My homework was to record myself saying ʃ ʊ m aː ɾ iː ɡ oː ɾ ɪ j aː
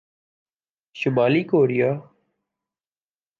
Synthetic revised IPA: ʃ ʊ m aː l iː k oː ɾ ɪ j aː